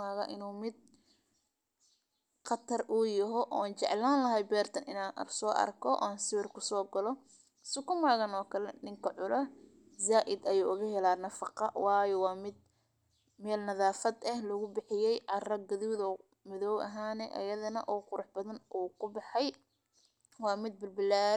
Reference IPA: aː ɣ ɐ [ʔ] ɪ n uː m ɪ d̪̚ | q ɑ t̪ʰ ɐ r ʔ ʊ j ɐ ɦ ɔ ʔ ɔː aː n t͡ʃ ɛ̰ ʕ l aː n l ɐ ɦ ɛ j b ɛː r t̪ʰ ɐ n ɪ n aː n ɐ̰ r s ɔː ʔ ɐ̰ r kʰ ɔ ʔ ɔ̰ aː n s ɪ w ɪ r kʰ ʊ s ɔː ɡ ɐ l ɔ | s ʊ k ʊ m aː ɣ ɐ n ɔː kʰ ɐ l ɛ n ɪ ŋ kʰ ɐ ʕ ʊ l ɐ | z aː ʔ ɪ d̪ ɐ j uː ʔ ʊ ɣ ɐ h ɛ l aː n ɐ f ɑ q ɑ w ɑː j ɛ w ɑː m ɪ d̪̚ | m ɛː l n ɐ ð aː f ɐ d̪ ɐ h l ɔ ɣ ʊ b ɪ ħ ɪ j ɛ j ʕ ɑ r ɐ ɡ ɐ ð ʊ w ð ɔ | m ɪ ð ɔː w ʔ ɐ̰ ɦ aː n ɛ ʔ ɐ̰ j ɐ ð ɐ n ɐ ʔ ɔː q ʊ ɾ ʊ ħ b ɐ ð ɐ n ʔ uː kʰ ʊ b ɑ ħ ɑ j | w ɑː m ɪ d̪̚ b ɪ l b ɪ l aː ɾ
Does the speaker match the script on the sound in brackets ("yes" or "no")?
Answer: yes